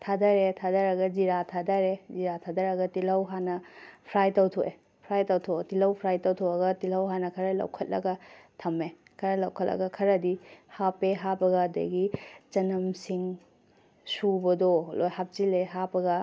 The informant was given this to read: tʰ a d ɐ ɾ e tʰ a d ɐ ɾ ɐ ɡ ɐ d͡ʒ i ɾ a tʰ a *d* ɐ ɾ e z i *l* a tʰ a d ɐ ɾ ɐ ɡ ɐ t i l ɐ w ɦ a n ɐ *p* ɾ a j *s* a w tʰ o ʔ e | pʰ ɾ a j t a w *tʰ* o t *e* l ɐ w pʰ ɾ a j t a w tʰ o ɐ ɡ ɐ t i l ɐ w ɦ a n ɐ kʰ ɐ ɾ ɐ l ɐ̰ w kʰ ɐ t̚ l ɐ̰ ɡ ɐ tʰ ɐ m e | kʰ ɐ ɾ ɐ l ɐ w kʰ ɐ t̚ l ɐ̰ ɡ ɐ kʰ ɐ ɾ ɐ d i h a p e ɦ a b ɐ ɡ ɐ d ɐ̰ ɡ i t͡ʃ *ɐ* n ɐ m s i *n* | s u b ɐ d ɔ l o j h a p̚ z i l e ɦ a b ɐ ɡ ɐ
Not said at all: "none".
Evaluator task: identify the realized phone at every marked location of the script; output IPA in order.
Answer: d, ɾ, pʰ, t, tʰ, i, ɐ, ŋ

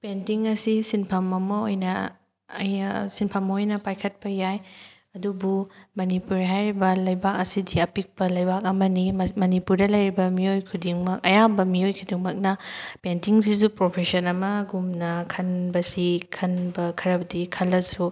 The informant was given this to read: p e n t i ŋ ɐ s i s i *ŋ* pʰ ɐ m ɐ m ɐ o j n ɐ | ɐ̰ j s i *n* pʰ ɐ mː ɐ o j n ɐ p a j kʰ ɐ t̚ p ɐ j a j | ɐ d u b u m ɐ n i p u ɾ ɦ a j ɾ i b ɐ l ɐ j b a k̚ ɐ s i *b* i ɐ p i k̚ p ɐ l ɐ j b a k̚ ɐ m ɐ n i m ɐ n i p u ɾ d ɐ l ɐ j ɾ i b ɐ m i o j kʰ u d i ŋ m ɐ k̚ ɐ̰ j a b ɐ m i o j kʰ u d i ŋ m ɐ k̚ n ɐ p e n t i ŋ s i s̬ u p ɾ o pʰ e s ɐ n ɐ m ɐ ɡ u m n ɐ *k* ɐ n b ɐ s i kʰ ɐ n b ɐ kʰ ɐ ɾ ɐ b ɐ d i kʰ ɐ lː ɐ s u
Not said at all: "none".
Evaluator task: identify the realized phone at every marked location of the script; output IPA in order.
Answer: n, n, d, kʰ

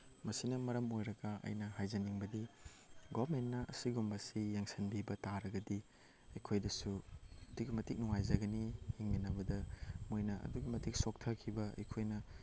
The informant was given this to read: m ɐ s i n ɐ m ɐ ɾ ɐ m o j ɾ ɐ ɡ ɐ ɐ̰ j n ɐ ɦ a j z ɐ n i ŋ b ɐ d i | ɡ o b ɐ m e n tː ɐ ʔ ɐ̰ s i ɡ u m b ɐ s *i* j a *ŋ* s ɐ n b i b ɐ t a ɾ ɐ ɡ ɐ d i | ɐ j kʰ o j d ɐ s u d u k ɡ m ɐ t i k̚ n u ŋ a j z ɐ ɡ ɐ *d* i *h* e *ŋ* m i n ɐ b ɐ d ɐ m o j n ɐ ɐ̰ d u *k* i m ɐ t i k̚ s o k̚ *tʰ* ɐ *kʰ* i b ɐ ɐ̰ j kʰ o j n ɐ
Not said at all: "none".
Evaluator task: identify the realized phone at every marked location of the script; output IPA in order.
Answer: i, ŋ, n, h, ŋ, ɡ, tʰ, kʰ

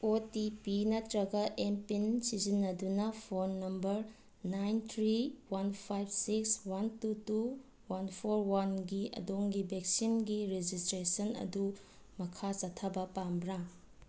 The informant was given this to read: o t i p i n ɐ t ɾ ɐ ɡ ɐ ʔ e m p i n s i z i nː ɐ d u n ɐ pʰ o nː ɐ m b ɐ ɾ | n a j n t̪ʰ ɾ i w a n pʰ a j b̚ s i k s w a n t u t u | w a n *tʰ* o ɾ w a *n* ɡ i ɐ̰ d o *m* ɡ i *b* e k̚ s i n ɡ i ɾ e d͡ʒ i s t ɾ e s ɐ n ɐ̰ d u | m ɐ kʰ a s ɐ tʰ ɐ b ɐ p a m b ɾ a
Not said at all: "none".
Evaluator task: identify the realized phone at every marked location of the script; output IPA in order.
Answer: pʰ, n, ŋ, b

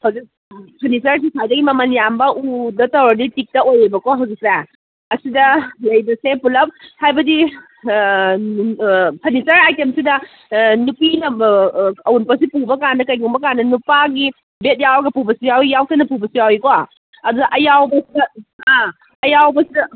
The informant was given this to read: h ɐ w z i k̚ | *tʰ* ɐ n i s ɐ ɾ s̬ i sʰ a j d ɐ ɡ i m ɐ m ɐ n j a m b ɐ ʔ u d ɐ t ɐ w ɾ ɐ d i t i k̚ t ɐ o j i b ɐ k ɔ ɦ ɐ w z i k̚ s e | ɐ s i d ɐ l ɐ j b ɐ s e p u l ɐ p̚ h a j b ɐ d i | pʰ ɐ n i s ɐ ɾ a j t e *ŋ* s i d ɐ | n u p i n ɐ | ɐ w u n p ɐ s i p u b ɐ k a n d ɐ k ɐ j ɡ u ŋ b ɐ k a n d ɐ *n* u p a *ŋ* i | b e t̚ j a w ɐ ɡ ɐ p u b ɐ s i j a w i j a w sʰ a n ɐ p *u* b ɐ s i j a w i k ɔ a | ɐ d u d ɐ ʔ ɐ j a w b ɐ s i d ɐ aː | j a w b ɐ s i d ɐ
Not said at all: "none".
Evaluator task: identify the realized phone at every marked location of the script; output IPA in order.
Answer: pʰ, m, n, ɡ, u

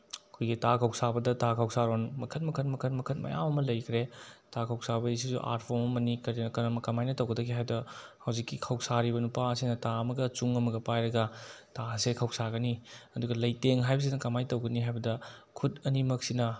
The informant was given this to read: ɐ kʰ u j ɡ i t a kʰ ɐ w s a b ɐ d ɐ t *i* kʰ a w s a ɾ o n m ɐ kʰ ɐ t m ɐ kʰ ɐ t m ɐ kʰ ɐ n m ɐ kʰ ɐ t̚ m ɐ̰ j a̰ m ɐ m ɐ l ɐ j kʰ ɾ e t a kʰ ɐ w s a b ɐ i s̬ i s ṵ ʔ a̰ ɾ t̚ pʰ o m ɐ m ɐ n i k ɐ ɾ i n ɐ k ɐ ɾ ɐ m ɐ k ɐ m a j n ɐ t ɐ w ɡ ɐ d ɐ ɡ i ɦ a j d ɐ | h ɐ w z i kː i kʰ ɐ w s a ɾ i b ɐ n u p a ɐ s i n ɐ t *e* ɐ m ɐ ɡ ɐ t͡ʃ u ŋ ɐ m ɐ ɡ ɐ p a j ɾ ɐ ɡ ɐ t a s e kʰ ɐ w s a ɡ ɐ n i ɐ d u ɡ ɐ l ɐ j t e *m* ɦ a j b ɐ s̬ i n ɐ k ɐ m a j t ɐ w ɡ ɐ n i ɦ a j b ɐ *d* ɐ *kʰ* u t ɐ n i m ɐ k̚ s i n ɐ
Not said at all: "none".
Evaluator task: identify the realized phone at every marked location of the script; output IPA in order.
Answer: a, a, ŋ, d, kʰ

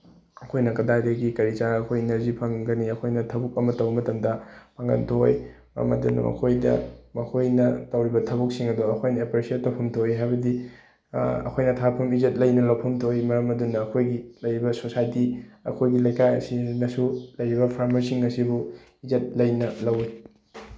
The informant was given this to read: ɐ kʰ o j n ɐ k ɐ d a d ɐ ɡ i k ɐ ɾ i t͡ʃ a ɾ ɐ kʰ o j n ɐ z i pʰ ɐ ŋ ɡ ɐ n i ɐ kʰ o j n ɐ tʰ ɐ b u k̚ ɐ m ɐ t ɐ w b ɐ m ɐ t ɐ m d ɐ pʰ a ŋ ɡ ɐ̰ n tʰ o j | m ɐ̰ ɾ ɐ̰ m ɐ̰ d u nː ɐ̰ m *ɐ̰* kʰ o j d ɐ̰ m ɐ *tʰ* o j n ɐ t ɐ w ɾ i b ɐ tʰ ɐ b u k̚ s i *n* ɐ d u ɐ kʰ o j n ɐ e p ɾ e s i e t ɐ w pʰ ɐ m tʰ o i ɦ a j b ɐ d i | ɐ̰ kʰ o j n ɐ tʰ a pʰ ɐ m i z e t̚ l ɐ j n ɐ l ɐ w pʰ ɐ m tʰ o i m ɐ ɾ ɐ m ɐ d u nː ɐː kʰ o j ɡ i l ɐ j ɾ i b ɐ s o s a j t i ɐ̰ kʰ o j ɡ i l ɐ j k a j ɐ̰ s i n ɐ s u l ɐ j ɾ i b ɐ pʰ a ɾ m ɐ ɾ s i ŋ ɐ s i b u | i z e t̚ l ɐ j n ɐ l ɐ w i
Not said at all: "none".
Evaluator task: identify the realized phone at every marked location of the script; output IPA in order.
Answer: ɐ̰, kʰ, ŋ

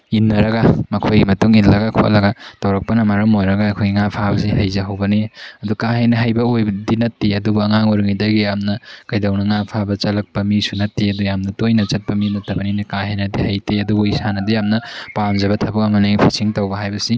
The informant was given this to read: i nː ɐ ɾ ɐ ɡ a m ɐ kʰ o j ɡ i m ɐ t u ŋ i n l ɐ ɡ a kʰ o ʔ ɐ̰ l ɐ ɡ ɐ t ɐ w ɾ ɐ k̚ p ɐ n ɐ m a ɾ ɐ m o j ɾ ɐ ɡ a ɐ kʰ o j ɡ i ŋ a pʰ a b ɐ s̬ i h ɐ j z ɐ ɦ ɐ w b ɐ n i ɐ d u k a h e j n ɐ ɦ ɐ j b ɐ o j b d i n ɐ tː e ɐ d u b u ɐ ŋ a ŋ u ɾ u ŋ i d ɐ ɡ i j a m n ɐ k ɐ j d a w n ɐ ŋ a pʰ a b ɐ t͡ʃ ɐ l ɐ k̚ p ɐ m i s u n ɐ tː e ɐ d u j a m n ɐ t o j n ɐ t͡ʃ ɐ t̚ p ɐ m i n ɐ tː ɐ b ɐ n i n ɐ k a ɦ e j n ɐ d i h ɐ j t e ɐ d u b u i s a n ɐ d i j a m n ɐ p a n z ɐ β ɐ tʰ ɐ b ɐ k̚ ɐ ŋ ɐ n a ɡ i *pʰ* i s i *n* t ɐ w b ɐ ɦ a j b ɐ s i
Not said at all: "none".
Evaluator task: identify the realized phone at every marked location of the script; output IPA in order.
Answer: pʰ, ŋ

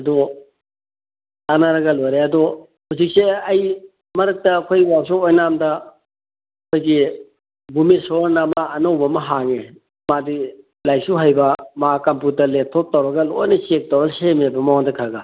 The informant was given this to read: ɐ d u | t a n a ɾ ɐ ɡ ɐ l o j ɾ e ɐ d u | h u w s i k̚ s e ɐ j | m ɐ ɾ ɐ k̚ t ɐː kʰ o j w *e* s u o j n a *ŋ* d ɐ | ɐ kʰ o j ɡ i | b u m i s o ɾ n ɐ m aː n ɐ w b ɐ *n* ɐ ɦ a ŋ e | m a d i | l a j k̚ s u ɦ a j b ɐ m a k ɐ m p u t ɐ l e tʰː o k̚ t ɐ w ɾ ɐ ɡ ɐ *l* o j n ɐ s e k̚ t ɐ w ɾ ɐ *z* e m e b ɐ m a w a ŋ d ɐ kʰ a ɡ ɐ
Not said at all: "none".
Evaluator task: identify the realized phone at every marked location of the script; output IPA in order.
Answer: a, m, m, l, s

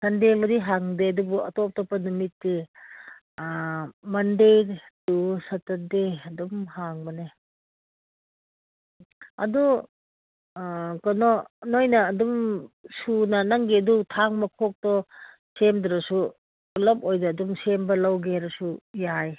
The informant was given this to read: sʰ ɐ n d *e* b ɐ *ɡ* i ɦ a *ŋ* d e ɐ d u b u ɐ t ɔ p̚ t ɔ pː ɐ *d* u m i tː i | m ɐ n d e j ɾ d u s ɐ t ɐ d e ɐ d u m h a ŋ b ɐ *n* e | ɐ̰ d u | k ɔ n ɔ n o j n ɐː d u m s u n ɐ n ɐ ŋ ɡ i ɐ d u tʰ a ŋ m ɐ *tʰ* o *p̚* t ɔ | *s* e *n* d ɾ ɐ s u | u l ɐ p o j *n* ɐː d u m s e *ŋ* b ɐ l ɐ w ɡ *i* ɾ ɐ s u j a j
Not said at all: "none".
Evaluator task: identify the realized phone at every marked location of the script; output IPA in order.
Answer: e, d, ŋ, n, n, kʰ, k̚, s, m, d, m, e

